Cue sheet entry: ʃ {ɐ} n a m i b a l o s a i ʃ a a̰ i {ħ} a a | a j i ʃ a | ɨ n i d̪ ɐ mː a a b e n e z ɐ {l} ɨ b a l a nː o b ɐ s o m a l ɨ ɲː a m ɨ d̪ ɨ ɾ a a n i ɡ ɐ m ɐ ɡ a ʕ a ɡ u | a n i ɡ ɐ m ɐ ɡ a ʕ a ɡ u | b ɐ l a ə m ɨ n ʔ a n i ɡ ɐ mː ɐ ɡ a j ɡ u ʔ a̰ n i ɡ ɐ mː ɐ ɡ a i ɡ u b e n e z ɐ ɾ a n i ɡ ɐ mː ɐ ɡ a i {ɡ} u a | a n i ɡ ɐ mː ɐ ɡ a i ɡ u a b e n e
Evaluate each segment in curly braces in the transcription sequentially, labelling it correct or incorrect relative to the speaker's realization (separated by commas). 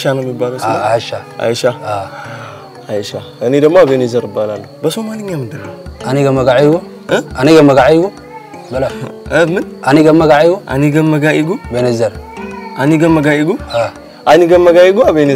incorrect, incorrect, incorrect, correct